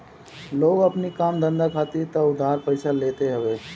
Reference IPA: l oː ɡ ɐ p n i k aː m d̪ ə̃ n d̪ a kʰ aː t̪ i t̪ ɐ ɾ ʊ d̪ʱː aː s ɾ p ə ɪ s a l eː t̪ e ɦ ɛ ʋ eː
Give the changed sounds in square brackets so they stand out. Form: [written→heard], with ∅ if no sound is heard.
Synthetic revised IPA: l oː ɡ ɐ p n i k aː m d̪ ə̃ n d̪ a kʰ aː t̪ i t̪ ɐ [ɾ→∅] ʊ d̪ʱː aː [s→∅] ɾ p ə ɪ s a l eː t̪ e ɦ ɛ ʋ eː